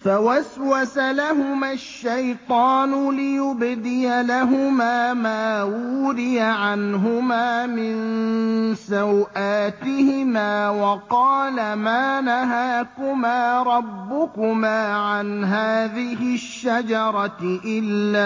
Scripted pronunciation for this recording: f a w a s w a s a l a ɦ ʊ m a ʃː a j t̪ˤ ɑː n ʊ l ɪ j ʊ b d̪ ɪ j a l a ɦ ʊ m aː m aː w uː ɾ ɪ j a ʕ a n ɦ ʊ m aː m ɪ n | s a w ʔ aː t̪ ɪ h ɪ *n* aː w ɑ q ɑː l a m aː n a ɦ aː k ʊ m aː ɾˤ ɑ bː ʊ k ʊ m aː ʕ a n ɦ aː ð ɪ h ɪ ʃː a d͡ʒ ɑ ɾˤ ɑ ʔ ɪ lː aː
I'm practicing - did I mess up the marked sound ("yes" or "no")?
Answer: yes